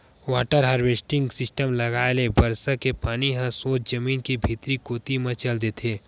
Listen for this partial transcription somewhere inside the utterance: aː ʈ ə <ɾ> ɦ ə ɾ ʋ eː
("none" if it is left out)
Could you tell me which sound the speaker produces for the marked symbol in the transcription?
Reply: ɾ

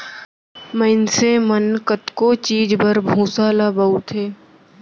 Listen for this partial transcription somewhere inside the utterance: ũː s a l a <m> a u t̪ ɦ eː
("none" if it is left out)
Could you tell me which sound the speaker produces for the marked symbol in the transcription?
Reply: b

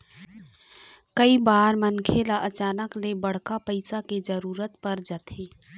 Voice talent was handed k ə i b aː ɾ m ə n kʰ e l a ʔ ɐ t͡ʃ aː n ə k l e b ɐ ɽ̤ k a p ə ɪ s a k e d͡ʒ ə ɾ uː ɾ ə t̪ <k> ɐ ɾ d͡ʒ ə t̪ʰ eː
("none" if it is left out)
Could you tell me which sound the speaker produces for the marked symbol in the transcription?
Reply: p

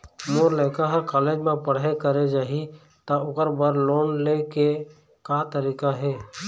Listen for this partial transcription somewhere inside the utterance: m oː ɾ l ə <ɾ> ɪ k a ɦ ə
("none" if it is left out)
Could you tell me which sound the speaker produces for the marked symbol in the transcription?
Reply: none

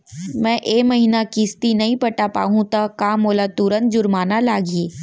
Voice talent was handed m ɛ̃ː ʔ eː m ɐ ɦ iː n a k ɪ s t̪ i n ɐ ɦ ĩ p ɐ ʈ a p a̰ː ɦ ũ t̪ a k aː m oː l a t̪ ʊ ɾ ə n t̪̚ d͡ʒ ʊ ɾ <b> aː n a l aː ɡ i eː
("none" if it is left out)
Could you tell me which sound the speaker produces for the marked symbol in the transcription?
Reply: m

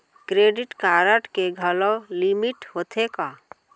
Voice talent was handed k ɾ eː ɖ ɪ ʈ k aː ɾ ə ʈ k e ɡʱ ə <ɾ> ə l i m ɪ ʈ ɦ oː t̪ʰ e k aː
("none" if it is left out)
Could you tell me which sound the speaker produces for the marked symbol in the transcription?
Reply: l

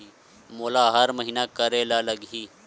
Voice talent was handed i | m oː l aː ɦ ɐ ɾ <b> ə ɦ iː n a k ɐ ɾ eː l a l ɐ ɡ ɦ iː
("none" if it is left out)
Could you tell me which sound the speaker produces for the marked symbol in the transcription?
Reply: m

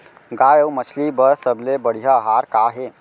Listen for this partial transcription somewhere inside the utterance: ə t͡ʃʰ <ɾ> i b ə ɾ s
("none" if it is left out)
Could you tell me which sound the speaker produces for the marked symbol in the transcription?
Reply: l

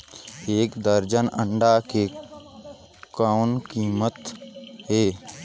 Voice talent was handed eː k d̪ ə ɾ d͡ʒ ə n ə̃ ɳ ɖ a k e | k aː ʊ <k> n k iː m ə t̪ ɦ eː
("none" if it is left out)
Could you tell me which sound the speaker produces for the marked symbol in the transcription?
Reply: none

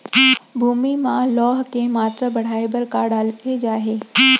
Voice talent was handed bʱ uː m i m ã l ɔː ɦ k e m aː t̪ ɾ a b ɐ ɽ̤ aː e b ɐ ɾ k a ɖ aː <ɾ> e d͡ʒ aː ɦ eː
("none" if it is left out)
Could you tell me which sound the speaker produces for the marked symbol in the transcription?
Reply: l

